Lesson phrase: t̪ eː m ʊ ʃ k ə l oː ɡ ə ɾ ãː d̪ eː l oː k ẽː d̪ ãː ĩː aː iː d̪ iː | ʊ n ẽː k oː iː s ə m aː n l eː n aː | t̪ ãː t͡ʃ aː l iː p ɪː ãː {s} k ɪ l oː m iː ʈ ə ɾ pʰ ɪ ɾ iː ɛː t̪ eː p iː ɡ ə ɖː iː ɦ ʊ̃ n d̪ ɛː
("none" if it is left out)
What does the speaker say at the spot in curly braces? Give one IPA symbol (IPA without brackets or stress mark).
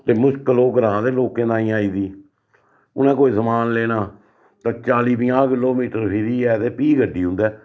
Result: none